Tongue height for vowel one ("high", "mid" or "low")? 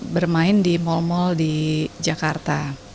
mid